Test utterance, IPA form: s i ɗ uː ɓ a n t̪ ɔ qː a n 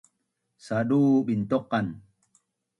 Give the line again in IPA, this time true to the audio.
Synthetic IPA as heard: s a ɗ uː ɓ i n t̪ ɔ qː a n